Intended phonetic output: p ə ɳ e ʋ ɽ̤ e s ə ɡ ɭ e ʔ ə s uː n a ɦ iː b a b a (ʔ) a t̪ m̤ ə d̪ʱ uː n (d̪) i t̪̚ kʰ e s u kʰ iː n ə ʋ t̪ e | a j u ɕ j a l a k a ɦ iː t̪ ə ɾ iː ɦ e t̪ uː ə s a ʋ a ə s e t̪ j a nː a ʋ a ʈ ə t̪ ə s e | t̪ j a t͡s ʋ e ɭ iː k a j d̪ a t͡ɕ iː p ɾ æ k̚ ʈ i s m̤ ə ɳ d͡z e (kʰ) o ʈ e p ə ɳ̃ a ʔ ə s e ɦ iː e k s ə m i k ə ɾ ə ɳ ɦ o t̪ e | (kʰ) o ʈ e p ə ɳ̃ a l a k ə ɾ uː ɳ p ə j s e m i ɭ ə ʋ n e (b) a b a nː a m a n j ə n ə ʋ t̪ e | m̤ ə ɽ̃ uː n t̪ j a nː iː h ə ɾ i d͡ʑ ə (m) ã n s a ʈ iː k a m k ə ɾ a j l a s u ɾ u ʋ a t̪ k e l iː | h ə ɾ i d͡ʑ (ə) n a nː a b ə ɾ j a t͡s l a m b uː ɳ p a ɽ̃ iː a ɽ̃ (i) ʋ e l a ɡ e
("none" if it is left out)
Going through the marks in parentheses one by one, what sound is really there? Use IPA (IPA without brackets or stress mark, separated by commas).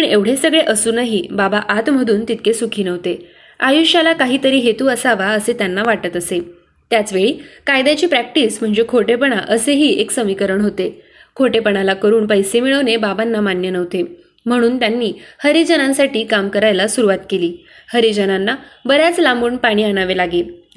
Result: ʔ, t̪, kʰ, kʰ, b, n, ə, a